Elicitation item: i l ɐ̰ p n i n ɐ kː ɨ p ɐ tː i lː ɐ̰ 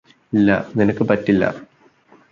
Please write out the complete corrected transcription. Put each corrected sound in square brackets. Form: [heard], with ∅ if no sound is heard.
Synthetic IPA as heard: i [lː] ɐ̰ [∅] n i n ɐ kː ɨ p ɐ tː i lː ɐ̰